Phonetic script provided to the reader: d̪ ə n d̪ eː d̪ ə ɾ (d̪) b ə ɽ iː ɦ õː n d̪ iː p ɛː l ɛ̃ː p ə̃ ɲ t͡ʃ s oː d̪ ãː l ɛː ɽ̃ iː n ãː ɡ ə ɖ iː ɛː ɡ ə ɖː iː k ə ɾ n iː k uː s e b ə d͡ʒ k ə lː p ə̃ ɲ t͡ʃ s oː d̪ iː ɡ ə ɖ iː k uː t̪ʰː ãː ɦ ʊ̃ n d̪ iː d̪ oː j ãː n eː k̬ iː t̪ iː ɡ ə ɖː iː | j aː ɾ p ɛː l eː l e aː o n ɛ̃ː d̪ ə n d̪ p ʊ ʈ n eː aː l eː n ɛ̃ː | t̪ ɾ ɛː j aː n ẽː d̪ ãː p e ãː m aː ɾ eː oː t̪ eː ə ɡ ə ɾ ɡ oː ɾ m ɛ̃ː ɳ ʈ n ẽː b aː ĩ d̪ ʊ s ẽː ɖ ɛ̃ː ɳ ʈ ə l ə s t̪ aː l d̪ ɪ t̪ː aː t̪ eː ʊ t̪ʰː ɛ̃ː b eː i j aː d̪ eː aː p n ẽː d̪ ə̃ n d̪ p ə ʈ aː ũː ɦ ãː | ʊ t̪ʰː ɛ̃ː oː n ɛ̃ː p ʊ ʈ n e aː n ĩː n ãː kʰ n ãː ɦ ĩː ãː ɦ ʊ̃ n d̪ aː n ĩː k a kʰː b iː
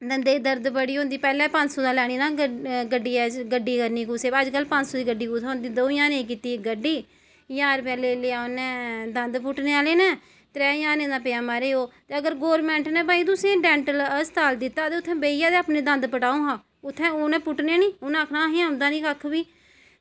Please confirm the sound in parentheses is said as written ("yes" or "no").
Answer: yes